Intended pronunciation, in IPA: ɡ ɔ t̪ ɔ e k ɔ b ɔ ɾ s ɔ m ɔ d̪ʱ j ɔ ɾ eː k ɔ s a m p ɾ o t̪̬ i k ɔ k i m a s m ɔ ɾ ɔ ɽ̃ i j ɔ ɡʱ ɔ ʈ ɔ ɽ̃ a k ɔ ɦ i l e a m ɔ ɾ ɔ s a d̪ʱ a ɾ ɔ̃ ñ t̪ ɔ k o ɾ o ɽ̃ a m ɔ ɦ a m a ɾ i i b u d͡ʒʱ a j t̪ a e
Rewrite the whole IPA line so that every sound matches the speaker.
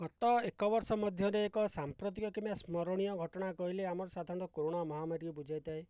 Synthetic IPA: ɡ ɔ t̪ ɔ e k ɔ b ɔ ɾ s ɔ m ɔ d̪ʱ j ɔ ɾ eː k ɔ s a m p ɾ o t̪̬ i k ɔ k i m a s m ɔ ɾ ɔ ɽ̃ i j ɔ ɡʱ ɔ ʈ ɔ ɽ̃ a k ɔ ɦ i l e a m ɔ ɾ ɔ s a d̪ʱ a ɾ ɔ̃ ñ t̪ ɔ k o ɾ o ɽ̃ a m ɔ ɦ a m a ɾ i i b u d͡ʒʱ a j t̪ a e